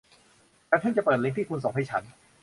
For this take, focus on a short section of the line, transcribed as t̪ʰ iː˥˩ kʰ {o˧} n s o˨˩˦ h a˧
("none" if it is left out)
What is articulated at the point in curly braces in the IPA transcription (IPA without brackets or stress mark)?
u˧